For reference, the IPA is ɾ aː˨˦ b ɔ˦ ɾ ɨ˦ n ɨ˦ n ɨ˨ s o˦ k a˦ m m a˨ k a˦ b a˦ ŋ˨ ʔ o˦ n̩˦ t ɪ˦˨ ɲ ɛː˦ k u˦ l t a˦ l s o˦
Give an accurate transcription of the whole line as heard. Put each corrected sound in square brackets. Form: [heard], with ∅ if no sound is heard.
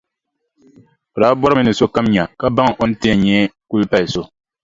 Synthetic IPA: ɾ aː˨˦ b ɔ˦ ɾ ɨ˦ [m] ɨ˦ n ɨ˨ s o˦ k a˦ m [ɲ] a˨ k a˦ b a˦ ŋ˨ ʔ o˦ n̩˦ t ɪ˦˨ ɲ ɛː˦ k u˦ l [p] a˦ l s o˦